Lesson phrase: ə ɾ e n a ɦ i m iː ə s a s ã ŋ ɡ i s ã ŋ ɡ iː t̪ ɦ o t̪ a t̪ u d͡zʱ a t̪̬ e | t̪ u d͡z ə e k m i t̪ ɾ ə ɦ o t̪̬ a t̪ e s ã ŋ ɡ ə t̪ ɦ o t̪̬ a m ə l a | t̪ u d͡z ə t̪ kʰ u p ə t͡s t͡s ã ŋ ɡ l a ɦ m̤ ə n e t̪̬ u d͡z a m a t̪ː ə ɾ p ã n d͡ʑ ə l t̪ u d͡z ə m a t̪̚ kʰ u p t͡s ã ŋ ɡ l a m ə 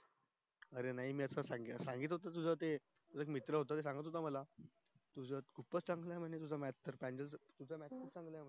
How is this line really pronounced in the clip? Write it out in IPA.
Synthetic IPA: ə ɾ e n a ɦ i m iː ə s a s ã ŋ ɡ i s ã ŋ ɡ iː t̪ ɦ o t̪ a t̪ u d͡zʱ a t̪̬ e | t̪ u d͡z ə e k m i t̪ ɾ ə ɦ o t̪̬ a t̪ e s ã ŋ ɡ ə t̪ ɦ o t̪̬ a m ə l a | t̪ u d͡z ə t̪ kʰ u p ə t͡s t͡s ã ŋ ɡ l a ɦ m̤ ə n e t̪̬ u d͡z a m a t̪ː ə ɾ p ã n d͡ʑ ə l t̪ u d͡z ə m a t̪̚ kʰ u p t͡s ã ŋ ɡ l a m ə